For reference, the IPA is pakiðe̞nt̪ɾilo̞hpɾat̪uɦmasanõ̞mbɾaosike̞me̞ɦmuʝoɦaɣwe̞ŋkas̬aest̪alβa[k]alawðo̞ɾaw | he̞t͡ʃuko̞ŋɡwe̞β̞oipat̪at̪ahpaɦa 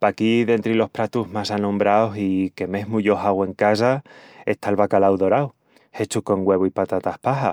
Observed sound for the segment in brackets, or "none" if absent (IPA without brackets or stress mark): k